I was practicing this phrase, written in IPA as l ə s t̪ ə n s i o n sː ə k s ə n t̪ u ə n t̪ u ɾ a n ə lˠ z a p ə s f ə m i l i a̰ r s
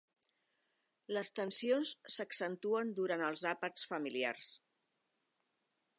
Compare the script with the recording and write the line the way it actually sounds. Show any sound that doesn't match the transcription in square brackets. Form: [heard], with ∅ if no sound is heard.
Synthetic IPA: l ə s t̪ ə n s i o n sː ə k s ə n t̪ u ə n [d̪] u ɾ a n ə lˠ z a p ə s f ə m i l i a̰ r s

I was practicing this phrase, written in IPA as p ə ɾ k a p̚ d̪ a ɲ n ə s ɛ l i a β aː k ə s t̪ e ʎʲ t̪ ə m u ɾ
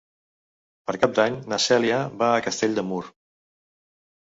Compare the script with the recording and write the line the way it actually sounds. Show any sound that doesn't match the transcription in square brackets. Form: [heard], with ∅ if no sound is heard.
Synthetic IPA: p ə ɾ k a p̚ d̪ a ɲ n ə s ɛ l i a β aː k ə s t̪ e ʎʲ [d̪] ə m u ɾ

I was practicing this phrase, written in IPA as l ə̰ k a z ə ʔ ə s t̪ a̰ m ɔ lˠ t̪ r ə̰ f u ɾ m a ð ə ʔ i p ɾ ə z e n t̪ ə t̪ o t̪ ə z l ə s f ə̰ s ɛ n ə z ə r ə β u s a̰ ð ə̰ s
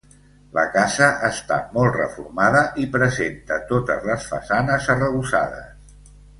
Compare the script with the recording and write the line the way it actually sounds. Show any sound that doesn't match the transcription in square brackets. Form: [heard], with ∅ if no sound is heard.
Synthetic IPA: l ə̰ k a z ə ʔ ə s t̪ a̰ m ɔ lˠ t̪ r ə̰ f u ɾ m a ð ə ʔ i p ɾ ə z e n t̪ ə t̪ o t̪ ə z l ə s f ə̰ s [a] n ə z ə r ə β u s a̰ ð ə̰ s

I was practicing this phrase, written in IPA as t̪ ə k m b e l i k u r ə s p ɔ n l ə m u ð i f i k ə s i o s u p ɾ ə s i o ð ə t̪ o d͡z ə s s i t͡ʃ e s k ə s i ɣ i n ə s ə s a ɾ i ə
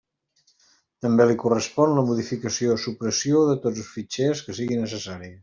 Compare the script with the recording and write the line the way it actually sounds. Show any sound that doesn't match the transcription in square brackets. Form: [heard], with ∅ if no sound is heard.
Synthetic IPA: t̪ ə [∅] m b e l i k u r ə s p ɔ n l ə m u ð i f i k ə s i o s u p ɾ ə s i o ð ə t̪ o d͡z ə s [f] i t͡ʃ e s k ə s i ɣ i n ə s ə s a ɾ i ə

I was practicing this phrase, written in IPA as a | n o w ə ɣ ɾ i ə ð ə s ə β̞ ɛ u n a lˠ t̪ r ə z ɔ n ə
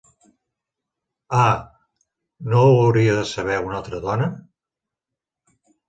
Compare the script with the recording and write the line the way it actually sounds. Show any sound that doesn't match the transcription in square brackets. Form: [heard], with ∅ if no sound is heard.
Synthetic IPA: a | n o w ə [w] ɾ i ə ð ə s ə β̞ ɛ u n a lˠ t̪ [ɾ] ə [ð] ɔ n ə

